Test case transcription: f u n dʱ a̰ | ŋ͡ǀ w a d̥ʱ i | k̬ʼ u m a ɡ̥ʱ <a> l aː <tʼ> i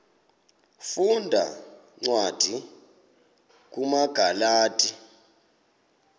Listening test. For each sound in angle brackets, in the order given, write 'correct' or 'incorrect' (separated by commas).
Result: correct, correct